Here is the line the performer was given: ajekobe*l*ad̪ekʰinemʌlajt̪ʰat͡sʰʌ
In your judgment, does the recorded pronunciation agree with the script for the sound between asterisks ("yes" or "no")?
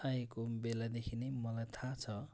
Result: yes